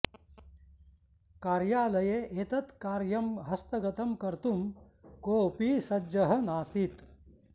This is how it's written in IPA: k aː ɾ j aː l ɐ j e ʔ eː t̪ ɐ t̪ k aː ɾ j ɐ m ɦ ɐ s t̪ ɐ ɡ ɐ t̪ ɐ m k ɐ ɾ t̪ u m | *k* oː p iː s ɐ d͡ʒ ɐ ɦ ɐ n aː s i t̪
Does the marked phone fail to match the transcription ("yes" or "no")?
no